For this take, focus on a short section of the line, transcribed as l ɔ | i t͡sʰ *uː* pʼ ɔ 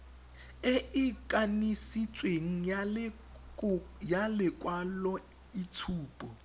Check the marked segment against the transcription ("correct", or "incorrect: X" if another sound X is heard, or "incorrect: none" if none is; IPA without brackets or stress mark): correct